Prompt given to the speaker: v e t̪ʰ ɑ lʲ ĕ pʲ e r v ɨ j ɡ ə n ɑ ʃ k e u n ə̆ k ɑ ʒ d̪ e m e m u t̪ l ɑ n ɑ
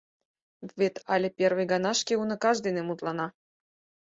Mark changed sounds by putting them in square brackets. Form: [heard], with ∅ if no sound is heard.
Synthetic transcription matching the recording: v e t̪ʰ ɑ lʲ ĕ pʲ e r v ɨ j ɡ [ɑ] n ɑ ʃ k e u n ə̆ k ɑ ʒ d̪ e [n] e m u t̪ l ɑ n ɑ